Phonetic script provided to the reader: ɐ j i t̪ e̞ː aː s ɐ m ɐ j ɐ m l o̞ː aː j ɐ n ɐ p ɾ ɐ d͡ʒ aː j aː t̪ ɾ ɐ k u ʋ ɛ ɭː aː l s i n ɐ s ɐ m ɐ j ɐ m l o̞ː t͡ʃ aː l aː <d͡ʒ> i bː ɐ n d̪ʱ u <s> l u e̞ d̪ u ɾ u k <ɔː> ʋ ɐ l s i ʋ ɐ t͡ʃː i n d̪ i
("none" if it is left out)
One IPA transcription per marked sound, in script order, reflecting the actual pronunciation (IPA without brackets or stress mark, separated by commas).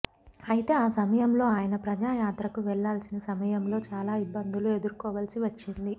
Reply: none, none, ɔː